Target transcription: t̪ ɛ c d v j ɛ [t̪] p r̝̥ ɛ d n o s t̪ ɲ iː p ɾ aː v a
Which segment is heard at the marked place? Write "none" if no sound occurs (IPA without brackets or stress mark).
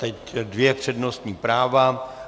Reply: none